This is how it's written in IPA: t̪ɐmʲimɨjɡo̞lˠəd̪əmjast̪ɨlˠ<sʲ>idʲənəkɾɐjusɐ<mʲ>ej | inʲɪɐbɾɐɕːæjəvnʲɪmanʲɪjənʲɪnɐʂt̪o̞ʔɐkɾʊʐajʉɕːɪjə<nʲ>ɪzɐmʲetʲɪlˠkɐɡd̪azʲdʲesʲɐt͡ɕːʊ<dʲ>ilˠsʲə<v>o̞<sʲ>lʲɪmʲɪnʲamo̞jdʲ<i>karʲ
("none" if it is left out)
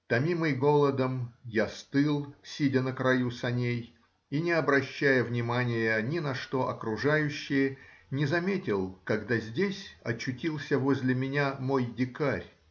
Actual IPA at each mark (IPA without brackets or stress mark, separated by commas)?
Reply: sʲ, nʲ, nʲ, tʲ, v, zʲ, ɪ